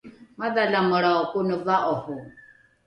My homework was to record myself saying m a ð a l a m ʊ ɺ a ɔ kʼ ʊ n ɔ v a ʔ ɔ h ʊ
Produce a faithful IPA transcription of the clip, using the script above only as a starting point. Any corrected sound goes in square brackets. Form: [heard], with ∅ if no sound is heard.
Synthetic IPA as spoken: m a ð a l a m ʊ ɺ a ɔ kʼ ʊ n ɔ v a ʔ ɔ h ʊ

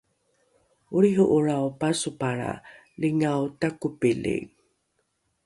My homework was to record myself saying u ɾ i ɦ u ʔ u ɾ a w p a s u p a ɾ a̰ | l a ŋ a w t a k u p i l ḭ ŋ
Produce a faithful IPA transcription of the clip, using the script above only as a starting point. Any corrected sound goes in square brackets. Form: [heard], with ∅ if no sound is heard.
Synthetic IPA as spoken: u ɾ i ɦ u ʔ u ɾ a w p a s u p a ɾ a̰ | l [i] ŋ a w t a k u p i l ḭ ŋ

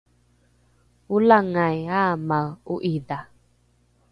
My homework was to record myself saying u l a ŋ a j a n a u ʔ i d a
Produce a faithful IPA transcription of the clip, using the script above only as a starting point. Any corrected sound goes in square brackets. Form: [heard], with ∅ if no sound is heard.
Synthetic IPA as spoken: u l a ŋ a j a [m] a u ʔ i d a

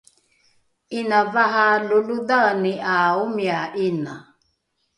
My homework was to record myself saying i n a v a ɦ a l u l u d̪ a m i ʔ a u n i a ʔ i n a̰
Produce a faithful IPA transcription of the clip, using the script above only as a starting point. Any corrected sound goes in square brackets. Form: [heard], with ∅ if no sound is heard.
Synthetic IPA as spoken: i n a v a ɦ a l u l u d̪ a [n] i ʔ a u [m] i a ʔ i n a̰

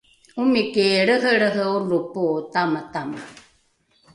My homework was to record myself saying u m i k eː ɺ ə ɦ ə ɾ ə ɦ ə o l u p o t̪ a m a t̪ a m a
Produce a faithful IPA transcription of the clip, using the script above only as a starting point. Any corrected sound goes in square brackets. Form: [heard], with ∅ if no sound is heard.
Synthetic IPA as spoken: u m i k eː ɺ ə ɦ ə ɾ ə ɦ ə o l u p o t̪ a m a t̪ a m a

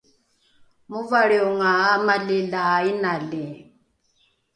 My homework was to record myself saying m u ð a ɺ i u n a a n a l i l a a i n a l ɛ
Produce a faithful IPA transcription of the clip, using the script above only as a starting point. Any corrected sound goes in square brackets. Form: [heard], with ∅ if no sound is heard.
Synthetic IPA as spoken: m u [v] a ɺ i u [ŋ] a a [m] a l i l a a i n a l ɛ

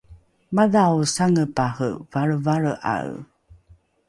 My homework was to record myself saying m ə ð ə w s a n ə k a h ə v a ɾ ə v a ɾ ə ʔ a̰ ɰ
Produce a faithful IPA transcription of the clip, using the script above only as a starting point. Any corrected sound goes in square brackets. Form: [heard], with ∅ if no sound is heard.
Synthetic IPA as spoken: m [a] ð [a] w s a [ŋ] ə [p] a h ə v a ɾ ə v a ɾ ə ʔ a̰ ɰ

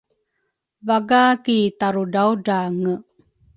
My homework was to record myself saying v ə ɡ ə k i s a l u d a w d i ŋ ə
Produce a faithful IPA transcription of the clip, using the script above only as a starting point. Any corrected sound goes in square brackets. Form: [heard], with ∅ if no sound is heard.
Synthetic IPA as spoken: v [a] ɡ [a] k i [t] a [ɾ] u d a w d [a] ŋ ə

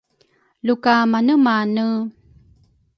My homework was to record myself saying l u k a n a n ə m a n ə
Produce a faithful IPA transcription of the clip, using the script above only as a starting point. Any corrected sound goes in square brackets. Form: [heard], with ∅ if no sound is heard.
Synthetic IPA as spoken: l u k a [m] a n ə m a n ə

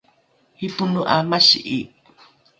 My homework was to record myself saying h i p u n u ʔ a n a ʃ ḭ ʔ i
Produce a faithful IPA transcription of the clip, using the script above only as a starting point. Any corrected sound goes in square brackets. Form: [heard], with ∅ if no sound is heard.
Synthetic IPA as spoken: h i p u n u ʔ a [m] a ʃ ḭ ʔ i

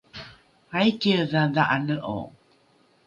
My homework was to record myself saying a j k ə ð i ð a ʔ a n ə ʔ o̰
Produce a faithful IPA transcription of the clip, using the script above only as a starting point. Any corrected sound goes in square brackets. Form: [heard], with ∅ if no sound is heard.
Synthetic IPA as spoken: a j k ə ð [a] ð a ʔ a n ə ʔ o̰

